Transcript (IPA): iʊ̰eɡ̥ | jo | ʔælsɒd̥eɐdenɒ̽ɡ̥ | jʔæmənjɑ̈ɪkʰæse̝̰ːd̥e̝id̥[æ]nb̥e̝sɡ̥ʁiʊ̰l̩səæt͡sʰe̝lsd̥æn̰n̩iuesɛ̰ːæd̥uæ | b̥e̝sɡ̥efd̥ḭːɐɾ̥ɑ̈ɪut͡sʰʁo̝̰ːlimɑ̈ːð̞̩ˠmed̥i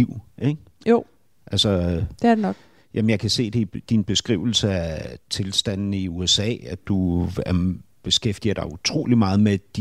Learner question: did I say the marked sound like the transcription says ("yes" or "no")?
no